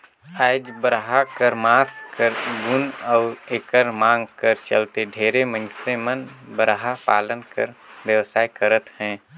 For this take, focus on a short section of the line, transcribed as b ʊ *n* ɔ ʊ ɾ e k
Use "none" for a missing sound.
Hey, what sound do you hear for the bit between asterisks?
n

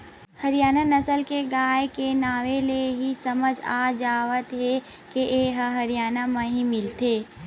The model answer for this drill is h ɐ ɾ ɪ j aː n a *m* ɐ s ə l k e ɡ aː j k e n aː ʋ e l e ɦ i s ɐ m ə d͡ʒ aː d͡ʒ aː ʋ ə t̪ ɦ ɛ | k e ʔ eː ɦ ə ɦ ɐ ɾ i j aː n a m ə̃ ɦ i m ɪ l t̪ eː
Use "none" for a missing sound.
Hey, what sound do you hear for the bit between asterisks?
n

